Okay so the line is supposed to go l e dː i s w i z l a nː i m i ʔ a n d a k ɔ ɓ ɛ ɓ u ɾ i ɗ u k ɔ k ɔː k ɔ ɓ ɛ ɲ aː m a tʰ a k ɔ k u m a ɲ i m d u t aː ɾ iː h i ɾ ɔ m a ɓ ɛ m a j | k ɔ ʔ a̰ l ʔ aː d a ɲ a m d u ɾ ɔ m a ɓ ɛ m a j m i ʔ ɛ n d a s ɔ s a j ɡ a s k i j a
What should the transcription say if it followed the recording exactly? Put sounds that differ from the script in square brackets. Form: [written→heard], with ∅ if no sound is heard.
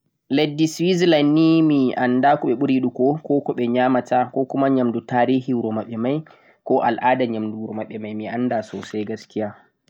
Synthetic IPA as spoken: l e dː i s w i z l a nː i m i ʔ a n d a k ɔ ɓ ɛ ɓ u ɾ i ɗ u k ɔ k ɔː k ɔ ɓ ɛ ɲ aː m a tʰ a k ɔ k u m a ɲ [i→a] m d u t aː ɾ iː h i ɾ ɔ m a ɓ ɛ m a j | k ɔ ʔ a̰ l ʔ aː d a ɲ a m d u ɾ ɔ m a ɓ ɛ m a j m i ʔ [ɛ→a] n d a s ɔ s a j ɡ a s k i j a

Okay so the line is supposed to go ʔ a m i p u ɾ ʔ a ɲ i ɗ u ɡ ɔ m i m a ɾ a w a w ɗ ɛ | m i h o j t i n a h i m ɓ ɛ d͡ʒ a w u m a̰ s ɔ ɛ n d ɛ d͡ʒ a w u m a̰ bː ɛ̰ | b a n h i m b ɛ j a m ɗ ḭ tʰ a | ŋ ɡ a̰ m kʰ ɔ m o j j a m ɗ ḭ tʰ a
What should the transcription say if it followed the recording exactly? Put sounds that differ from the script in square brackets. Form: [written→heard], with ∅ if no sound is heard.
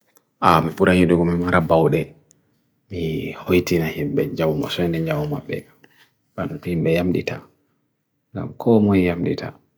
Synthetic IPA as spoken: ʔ a m i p u ɾ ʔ a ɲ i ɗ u ɡ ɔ m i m a ɾ a [w→b] a w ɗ ɛ | m i h o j t i n a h i m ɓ ɛ d͡ʒ a w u m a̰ s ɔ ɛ n d ɛ d͡ʒ a w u m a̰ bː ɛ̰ | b a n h i m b ɛ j a m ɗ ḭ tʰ a | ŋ ɡ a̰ m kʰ ɔ m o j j a m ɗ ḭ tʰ a

